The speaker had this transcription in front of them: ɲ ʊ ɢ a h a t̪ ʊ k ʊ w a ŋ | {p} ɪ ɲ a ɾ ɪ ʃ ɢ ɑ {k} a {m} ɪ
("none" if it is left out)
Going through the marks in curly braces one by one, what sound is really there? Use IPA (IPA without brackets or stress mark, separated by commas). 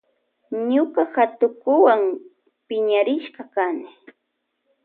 p, k, n